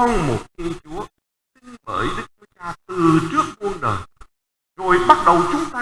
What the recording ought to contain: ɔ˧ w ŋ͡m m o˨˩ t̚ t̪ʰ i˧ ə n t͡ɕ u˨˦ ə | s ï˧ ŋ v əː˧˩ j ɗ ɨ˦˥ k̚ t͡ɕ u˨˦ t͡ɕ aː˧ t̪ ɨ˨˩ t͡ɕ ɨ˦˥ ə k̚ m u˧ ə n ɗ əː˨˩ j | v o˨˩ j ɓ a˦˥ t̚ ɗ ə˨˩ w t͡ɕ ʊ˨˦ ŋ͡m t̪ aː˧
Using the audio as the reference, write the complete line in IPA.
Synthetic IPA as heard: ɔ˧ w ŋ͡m m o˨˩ t̚ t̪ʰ i˧ ə n t͡ɕ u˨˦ ə | s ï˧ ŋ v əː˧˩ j ɗ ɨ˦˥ k̚ t͡ɕ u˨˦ t͡ɕ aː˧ t̪ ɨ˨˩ t͡ɕ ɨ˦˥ ə k̚ m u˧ ə n ɗ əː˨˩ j | z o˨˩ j ɓ a˦˥ t̚ ɗ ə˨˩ w t͡ɕ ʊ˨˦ ŋ͡m t̪ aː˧